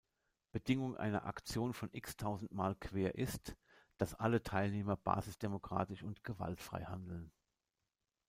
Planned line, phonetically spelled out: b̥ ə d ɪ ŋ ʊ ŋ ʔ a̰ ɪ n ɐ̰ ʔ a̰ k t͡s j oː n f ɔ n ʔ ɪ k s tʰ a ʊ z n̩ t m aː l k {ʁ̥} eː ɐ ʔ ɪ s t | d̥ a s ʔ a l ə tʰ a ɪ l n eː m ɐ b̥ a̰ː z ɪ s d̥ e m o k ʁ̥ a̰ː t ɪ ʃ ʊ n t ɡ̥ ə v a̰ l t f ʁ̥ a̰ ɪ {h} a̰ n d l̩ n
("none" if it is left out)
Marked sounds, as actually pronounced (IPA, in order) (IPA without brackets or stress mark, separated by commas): v̥, h